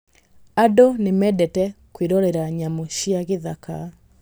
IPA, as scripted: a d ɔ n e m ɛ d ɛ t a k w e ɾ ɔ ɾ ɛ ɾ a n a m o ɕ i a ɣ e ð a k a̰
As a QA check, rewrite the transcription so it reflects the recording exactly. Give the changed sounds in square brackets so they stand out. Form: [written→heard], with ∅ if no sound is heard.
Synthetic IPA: a d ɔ n e m ɛ d ɛ t [a→ɛ] k w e ɾ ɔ ɾ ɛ ɾ a [n→ɲ] a m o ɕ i a ɣ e ð a k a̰